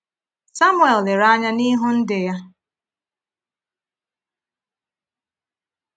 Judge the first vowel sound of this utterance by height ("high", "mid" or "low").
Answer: low